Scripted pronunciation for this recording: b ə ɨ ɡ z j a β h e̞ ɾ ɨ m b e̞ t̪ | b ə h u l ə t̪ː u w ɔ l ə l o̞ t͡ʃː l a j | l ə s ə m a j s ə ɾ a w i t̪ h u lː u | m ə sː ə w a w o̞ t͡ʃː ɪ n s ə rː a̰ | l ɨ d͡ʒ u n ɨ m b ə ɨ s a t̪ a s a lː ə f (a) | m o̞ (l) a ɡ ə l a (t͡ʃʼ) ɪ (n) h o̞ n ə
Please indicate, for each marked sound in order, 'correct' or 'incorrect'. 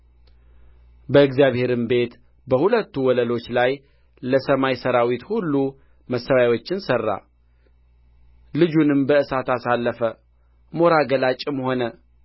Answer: incorrect, incorrect, correct, incorrect

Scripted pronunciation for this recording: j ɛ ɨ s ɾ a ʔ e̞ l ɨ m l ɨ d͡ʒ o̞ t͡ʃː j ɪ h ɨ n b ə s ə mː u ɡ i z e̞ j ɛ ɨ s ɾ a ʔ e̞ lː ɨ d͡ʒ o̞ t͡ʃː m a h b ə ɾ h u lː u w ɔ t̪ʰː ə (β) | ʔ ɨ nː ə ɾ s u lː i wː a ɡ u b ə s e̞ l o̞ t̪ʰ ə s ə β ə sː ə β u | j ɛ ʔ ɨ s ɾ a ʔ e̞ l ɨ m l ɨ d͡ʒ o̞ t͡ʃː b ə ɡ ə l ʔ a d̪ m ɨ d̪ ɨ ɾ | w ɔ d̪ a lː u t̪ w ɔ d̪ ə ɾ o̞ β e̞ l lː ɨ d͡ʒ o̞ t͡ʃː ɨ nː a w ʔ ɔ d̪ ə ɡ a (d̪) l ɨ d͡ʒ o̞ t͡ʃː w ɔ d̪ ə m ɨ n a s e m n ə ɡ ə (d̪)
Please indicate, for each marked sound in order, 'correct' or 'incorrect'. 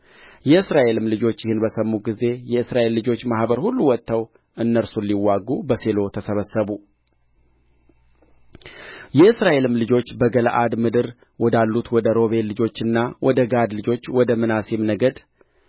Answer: incorrect, correct, correct

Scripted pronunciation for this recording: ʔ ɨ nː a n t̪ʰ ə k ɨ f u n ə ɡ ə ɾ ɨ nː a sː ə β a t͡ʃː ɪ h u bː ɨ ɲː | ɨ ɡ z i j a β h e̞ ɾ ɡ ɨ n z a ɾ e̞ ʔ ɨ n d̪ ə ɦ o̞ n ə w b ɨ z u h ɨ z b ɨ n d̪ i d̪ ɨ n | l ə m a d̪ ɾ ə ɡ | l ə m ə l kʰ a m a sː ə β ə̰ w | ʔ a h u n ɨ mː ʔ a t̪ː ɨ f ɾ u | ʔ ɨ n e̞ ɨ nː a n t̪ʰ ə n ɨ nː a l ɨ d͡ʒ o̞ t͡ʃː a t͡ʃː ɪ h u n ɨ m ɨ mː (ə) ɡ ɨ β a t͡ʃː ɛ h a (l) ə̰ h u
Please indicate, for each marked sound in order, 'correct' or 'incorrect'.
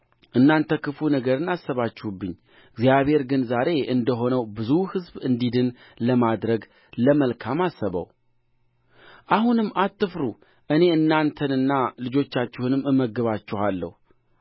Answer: correct, incorrect

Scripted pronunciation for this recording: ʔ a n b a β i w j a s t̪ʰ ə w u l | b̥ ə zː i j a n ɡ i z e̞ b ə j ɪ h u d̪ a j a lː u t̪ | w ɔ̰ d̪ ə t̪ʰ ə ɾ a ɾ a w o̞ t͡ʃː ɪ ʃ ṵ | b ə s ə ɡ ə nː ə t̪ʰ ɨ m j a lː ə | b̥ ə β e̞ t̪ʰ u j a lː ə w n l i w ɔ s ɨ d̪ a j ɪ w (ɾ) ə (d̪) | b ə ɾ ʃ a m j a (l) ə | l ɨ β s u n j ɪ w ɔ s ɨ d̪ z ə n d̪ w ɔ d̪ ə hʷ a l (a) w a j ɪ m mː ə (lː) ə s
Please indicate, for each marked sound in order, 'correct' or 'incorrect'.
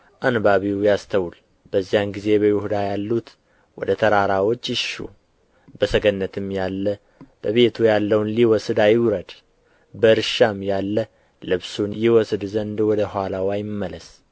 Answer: correct, correct, incorrect, correct, incorrect

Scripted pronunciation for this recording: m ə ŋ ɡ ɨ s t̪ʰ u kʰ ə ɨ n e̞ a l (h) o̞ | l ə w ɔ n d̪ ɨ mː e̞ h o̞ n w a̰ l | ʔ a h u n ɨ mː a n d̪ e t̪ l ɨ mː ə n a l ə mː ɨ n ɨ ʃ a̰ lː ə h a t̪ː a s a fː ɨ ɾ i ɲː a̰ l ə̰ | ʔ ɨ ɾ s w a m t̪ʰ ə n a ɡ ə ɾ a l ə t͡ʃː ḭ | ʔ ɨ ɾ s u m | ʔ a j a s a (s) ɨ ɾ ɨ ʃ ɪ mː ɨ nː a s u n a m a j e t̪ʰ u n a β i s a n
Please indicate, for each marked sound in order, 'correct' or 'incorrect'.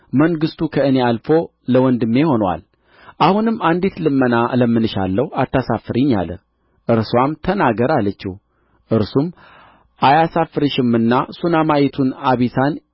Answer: incorrect, incorrect

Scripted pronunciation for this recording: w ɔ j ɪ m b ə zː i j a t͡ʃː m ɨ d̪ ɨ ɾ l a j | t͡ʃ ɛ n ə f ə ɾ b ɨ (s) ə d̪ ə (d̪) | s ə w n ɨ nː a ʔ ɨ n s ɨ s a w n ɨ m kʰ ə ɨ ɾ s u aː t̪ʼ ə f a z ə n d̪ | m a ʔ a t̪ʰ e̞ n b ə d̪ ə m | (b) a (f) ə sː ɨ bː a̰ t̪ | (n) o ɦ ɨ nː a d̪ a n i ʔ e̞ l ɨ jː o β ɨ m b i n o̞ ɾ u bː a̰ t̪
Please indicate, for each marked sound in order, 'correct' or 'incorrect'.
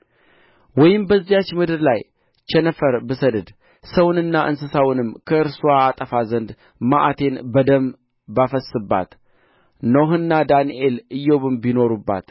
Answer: correct, correct, correct, correct, correct

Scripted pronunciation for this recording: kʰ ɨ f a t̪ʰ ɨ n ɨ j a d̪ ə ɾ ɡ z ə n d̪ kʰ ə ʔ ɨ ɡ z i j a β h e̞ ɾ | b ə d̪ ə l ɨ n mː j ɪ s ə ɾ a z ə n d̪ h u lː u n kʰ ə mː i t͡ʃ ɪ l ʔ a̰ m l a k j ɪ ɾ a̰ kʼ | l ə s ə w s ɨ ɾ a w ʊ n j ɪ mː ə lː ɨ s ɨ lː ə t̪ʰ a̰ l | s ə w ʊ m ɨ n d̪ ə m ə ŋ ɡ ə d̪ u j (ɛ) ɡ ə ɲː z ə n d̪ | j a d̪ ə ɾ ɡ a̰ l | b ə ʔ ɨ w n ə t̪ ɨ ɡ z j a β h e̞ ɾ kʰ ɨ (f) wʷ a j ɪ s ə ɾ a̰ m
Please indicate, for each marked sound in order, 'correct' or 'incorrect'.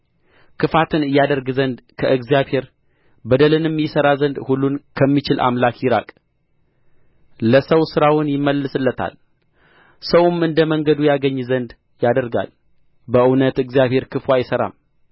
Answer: incorrect, correct

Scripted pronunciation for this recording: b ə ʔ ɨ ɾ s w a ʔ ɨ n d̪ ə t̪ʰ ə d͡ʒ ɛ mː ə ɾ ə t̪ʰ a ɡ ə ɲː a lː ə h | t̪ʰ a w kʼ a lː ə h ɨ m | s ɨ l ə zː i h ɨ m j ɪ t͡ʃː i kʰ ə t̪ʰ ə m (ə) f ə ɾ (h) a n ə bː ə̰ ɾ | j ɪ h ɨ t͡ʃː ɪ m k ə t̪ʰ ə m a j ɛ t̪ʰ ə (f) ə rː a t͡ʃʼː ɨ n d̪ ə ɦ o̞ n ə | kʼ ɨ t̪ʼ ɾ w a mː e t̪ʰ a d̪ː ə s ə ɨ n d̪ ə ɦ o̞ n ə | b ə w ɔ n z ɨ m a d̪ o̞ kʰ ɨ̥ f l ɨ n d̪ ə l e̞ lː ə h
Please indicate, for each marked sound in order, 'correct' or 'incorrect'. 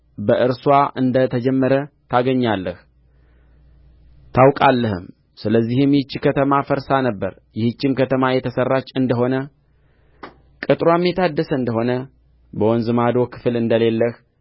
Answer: incorrect, incorrect, incorrect

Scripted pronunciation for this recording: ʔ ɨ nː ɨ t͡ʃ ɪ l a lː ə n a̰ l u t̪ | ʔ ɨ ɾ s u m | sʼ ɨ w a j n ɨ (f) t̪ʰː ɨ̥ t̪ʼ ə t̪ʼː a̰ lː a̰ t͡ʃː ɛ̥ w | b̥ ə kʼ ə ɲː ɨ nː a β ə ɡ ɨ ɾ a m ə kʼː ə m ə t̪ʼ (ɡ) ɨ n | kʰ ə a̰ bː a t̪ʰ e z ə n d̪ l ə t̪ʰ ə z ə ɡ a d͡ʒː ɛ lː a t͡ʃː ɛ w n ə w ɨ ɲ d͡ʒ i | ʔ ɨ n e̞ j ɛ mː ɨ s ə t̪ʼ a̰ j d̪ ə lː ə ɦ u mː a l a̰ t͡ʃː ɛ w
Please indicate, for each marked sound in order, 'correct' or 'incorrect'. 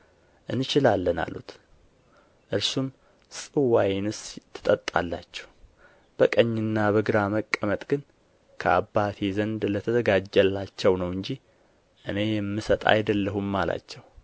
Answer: incorrect, correct

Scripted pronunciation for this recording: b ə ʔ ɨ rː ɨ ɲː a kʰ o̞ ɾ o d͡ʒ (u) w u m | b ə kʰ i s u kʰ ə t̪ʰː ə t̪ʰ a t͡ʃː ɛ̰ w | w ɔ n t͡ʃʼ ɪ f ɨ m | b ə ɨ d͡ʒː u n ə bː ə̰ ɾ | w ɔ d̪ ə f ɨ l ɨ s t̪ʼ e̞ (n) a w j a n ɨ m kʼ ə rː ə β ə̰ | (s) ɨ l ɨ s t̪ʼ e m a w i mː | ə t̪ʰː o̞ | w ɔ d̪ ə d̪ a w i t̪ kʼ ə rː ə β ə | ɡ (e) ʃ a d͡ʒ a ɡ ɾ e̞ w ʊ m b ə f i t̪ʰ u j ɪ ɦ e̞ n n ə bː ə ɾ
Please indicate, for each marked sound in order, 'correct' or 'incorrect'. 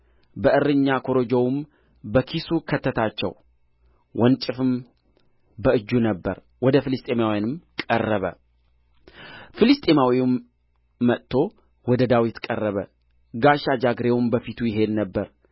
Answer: incorrect, incorrect, incorrect, incorrect

